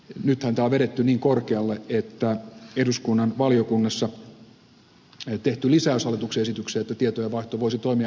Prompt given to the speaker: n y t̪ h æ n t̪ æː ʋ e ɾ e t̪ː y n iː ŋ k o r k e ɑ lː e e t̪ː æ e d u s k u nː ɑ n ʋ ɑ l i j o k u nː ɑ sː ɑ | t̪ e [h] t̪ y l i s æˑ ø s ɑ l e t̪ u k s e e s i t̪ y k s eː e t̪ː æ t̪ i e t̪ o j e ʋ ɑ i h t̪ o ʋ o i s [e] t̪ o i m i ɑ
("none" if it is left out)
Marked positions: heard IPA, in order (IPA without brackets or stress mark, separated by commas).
h, i